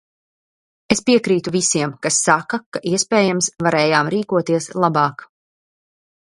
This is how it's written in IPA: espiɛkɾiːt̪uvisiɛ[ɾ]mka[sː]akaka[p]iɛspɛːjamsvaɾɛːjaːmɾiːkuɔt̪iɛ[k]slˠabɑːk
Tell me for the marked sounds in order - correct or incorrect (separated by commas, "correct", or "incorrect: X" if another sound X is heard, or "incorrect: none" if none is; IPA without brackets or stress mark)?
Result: incorrect: none, correct, incorrect: ʔ, incorrect: none